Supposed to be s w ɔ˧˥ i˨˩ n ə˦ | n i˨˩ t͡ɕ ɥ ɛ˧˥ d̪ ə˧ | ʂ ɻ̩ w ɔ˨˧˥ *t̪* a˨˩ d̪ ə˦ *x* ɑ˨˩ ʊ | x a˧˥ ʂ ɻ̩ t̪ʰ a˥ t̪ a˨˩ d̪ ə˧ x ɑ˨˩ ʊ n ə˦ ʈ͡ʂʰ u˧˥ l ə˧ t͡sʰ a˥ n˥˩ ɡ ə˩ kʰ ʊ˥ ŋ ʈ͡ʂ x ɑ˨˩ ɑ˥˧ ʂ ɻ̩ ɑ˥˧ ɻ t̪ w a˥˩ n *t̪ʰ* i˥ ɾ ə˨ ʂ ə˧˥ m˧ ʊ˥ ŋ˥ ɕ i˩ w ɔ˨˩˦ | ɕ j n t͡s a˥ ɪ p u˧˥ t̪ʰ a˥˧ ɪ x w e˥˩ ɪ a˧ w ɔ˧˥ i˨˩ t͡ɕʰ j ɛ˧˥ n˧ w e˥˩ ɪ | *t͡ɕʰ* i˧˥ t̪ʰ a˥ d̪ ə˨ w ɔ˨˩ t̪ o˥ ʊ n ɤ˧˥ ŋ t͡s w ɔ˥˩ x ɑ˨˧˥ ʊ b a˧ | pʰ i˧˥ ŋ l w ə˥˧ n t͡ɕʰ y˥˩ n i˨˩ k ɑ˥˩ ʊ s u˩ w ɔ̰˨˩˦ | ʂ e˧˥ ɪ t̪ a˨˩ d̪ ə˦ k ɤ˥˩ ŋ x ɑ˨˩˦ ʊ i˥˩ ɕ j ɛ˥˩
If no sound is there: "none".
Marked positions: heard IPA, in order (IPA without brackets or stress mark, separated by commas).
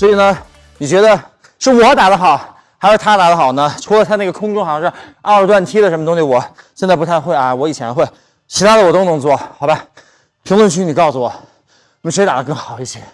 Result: t̪, x, t̪ʰ, t͡ɕʰ